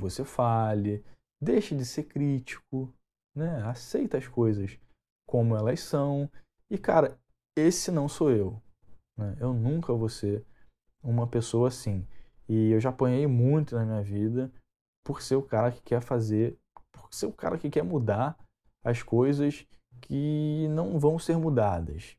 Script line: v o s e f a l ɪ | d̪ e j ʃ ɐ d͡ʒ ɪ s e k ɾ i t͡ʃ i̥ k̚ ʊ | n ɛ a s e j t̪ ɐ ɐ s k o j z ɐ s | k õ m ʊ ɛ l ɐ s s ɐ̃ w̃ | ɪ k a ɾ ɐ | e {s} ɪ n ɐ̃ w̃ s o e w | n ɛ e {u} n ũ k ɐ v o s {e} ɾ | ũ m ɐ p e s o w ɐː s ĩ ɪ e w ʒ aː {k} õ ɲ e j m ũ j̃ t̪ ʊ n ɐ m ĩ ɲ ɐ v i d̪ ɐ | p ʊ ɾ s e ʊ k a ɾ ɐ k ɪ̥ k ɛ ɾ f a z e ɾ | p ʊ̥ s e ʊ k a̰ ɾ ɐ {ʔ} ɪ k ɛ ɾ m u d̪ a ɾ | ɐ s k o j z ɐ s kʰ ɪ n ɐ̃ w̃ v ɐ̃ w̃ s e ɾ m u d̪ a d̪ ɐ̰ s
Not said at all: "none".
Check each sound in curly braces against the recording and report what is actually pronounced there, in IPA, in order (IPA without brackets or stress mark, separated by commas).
s, w, e, p, k